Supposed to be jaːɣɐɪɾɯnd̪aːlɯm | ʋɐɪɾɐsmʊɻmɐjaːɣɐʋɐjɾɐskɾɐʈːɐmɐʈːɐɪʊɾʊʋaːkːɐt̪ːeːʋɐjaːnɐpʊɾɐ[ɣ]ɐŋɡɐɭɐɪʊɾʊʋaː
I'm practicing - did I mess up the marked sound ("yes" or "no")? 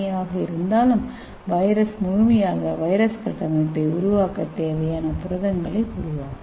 yes